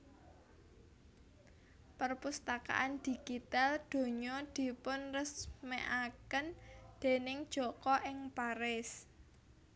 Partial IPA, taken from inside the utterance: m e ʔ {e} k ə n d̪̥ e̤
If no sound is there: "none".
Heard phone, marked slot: a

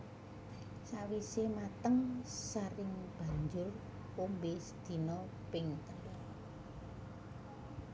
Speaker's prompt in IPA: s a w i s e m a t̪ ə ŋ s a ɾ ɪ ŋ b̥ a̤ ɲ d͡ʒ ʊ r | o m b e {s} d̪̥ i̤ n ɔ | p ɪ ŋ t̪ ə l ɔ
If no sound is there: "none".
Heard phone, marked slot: s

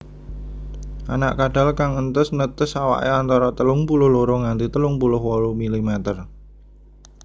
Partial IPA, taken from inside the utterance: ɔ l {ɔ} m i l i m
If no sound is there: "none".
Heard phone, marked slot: u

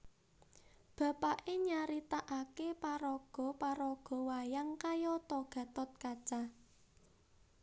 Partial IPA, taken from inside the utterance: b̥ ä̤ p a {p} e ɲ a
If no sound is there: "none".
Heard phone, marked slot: ʔ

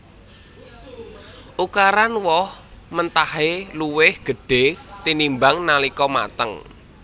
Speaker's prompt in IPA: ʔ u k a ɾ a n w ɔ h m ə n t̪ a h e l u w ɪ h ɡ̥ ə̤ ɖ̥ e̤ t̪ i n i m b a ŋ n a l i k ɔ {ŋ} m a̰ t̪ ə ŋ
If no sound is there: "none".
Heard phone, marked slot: none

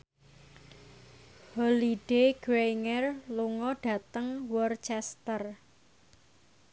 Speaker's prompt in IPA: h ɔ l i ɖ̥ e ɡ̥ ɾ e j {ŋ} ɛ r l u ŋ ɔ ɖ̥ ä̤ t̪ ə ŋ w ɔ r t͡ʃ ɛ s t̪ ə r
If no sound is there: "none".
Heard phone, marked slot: ŋ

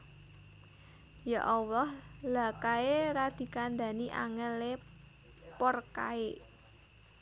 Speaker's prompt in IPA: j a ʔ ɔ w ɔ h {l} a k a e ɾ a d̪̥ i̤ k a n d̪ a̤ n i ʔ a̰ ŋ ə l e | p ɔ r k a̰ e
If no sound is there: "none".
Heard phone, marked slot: l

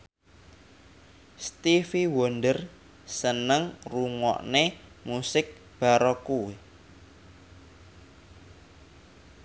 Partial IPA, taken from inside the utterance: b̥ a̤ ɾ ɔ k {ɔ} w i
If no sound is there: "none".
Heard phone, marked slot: u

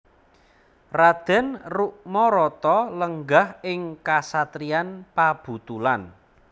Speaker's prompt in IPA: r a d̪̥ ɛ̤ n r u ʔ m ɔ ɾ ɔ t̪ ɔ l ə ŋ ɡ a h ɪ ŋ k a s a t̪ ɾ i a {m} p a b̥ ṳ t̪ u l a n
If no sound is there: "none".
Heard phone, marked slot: n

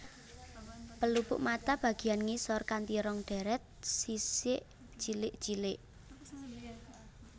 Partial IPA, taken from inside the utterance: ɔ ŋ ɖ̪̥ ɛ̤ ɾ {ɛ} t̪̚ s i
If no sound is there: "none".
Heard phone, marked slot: ɛ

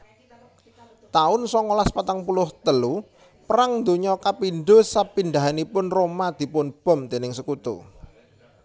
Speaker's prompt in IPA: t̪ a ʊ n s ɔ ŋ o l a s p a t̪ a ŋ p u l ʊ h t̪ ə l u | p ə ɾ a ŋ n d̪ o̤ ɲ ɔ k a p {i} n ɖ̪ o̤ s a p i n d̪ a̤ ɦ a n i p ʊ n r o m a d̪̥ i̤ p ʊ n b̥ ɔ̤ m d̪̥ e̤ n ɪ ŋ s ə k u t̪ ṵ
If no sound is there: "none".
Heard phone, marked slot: i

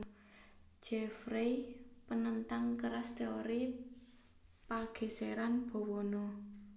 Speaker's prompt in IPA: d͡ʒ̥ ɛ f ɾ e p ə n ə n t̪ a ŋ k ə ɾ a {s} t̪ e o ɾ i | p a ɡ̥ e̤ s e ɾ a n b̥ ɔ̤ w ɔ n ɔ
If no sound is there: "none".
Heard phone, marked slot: s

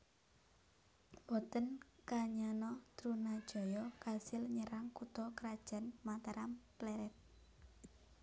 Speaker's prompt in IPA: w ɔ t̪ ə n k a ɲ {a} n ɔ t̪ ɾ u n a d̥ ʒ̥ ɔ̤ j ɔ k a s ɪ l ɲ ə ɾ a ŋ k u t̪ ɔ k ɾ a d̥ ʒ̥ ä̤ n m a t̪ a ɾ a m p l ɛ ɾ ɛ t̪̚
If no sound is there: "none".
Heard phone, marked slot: a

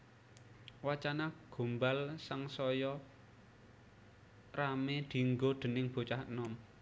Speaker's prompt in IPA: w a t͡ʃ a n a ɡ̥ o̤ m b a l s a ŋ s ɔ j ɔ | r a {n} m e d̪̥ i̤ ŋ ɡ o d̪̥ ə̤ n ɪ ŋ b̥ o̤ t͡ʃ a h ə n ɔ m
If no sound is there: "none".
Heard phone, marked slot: none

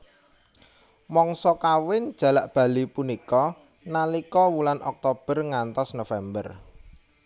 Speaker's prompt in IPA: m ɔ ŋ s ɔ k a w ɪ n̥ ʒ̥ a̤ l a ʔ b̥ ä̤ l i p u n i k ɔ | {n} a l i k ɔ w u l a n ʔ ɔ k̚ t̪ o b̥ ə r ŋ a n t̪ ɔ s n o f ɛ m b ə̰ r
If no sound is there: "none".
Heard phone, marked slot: n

